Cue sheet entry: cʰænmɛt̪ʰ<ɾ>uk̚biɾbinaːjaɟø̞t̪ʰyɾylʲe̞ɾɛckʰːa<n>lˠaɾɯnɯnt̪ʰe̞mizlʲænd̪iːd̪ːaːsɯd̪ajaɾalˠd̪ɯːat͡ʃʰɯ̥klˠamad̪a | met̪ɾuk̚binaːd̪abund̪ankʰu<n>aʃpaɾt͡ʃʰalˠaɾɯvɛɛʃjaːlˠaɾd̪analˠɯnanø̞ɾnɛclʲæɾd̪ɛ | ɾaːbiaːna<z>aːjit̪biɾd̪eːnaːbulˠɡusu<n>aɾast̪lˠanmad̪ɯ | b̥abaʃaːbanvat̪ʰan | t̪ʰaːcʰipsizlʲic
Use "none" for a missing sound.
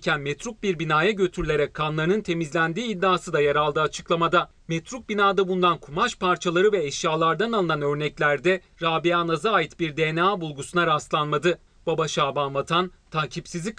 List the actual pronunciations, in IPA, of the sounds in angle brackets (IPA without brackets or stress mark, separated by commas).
ɾ, n, m, z, n